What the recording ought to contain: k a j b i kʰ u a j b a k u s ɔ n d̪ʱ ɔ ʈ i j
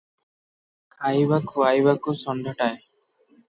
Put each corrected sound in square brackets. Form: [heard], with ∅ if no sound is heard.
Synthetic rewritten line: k a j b [a] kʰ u a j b a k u s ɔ n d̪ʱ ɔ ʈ [a] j